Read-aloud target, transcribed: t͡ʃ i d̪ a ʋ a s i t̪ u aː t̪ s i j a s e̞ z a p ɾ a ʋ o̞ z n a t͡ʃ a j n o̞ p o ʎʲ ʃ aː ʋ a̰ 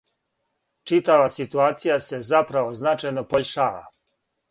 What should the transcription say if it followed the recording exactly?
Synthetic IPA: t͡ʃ i t̪ a ʋ a s i t̪ u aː t̪ s i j a s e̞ z a p ɾ a ʋ o̞ z n a t͡ʃ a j n o̞ p o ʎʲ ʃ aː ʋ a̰